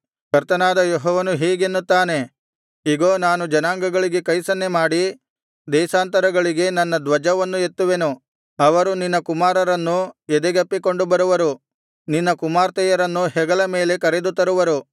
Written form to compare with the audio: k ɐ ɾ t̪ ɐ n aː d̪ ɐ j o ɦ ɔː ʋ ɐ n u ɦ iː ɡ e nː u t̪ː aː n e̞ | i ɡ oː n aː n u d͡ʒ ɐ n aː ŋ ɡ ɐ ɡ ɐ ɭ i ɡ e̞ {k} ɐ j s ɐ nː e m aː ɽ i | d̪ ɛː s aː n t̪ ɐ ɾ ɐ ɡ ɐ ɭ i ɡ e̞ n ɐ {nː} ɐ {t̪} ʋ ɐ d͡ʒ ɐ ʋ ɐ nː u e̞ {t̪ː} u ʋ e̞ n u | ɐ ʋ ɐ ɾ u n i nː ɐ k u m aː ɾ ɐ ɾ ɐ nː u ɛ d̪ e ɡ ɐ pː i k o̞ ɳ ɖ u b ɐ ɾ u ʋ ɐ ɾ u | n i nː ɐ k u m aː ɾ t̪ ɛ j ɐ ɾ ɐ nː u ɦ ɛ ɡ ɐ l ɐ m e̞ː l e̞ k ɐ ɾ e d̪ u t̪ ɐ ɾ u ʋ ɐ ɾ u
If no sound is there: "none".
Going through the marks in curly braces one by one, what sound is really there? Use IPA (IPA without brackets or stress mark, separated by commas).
k, nː, d̪, t̪ː